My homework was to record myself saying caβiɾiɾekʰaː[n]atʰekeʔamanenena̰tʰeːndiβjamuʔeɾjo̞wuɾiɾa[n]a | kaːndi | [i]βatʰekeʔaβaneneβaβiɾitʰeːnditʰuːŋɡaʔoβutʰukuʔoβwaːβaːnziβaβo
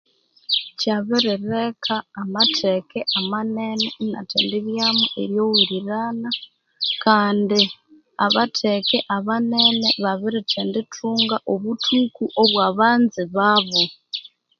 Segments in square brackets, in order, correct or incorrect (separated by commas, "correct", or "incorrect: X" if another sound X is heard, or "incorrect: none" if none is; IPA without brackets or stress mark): incorrect: m, correct, incorrect: a